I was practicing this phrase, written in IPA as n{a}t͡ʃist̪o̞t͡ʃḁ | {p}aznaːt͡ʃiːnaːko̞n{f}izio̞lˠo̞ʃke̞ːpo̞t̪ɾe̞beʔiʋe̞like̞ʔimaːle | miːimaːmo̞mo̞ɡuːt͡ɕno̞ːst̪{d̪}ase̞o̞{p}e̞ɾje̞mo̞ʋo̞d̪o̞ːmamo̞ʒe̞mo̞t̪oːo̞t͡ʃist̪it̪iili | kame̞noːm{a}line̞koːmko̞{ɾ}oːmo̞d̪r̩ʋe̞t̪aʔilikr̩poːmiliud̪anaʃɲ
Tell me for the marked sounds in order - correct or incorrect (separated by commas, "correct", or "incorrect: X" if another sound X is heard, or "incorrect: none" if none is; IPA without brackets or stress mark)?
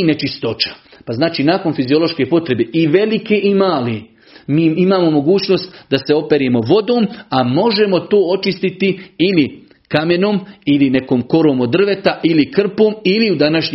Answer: incorrect: e, correct, correct, correct, correct, incorrect: i, correct